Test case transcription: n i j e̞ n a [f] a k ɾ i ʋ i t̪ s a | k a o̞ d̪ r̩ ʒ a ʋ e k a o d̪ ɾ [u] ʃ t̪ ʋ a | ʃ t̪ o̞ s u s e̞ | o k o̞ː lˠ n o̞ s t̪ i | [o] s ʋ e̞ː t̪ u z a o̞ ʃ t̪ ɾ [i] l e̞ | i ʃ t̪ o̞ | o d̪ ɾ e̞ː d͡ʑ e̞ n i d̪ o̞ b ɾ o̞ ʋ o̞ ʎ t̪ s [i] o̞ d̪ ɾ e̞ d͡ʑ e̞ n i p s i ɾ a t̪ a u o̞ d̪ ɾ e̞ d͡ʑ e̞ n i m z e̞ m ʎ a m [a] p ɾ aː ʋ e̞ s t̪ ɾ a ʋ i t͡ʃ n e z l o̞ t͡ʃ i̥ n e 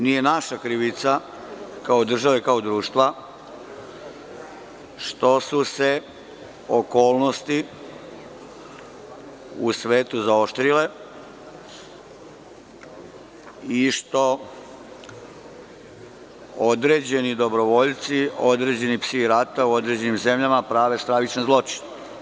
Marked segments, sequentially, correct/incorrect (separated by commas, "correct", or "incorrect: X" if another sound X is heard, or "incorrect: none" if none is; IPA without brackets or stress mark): incorrect: ʃ, incorrect: uː, incorrect: u, correct, correct, correct